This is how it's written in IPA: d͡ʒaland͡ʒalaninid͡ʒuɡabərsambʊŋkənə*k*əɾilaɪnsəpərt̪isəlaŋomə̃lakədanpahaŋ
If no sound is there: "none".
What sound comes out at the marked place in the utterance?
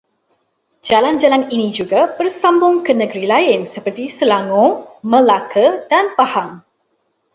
ɡ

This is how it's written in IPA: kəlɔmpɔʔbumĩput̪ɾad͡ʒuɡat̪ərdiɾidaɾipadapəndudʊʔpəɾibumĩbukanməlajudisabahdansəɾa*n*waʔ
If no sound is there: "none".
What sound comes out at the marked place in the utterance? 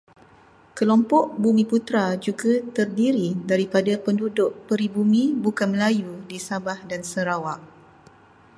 none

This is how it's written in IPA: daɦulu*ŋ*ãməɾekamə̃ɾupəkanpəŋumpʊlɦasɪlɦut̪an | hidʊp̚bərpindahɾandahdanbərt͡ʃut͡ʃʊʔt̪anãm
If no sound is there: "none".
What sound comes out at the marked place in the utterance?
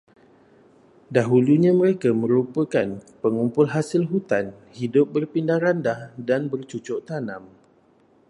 ɲ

